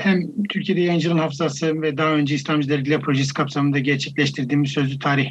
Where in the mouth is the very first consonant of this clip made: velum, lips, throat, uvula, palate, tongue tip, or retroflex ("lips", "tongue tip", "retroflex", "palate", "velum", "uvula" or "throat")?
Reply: throat